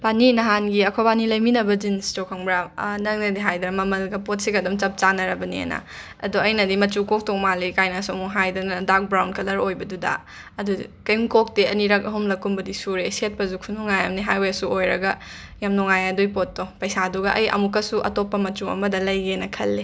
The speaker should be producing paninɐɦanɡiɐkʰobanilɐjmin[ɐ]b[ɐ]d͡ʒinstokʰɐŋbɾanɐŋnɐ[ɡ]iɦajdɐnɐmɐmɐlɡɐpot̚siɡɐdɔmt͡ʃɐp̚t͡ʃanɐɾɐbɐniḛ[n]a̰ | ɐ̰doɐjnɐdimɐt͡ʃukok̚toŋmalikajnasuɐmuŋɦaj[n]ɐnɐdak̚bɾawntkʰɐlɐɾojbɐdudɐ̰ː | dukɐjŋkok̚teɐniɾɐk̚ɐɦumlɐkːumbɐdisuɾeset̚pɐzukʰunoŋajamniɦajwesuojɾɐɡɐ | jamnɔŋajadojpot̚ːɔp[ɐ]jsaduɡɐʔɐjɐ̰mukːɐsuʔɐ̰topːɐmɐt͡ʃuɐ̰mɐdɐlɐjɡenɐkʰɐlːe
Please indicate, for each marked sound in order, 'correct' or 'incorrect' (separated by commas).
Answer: correct, correct, incorrect, correct, incorrect, correct